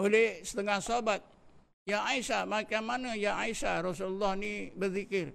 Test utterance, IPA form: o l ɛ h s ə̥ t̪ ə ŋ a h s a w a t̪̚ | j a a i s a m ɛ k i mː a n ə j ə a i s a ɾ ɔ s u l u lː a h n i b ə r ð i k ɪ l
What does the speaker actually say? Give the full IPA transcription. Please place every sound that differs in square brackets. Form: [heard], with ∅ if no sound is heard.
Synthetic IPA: o l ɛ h s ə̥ t̪ ə ŋ a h s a [b] a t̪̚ | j a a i s a m [a] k [a] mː a n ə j [a] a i s a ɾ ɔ s u l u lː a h n i b ə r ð i k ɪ [r]